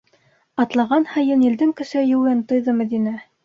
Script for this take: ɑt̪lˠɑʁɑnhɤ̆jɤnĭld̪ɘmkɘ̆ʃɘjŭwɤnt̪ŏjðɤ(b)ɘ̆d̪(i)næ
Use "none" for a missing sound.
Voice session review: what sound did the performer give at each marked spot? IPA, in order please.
m, i

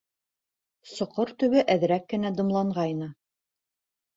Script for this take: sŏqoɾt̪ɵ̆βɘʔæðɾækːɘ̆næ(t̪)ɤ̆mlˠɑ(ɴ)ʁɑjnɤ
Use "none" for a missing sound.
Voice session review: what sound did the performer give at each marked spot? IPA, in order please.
d̪, ɴ

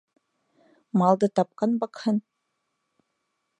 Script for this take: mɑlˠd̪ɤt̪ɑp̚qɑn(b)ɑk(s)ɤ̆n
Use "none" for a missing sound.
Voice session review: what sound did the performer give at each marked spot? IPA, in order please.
b, h

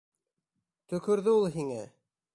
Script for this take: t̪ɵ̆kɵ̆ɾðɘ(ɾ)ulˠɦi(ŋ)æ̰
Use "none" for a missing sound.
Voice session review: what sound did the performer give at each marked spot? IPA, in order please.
none, ŋ

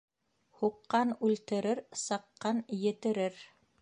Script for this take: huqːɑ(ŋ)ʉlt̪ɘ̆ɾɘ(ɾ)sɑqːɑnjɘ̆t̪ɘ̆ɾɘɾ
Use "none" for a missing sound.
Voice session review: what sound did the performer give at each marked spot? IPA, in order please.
n, ɾ

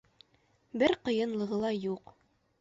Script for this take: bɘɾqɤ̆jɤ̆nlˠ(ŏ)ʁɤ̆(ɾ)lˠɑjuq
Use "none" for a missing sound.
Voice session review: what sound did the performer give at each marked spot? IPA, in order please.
ɤ̆, none

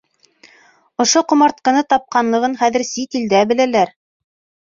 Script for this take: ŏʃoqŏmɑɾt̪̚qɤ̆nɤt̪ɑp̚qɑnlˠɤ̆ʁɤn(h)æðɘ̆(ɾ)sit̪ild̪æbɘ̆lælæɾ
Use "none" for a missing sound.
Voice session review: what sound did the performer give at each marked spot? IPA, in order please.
χ, ɾ

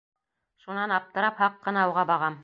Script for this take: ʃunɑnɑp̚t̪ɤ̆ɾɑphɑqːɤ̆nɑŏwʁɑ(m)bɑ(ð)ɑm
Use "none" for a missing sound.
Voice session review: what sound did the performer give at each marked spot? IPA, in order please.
none, ʁ

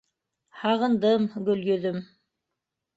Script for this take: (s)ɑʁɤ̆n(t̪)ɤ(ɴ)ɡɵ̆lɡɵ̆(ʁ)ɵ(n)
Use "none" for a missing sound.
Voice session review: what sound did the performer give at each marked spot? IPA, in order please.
h, d̪, m, ð, m

